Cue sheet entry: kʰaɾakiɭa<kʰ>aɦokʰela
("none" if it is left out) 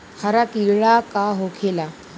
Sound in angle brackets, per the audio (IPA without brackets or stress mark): k